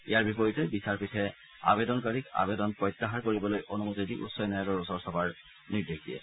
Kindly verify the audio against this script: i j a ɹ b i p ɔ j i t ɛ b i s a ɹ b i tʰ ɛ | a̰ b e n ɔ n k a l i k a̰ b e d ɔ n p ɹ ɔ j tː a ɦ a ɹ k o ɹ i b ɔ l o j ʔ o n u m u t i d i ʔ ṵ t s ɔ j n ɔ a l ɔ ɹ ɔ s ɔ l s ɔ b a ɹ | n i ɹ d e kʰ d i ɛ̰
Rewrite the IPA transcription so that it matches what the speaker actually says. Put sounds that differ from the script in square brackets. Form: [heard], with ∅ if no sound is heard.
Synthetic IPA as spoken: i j a ɹ b i p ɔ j i t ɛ b i s a ɹ [p] i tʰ ɛ | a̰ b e [d] ɔ n k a [ɹ] i k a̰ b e d ɔ n p ɹ ɔ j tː a ɦ a ɹ k o ɹ i b ɔ l o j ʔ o n u m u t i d i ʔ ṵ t s ɔ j n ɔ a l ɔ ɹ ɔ s ɔ [ɹ] s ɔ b a ɹ | n i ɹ d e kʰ d i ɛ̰